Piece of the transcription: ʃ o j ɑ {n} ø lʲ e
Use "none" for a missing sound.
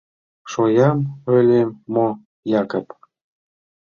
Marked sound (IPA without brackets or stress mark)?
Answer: m